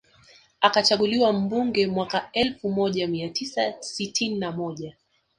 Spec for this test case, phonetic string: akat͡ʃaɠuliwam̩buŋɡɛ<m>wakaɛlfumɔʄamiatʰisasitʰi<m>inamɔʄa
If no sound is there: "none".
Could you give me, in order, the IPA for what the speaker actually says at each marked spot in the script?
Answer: m, n

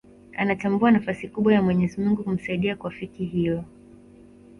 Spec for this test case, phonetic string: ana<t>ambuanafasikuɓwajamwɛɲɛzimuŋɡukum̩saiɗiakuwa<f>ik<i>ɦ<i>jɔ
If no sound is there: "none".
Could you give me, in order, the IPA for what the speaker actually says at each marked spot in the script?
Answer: t, f, i, i

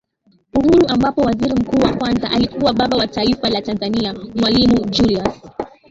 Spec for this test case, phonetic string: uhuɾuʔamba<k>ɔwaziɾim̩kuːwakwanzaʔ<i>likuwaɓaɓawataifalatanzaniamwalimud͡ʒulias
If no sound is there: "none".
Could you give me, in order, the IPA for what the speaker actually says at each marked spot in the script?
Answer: p, a

